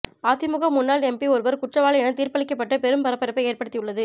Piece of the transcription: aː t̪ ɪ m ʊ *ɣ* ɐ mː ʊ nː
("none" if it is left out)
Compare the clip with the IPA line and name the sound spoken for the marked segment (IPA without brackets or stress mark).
ɣ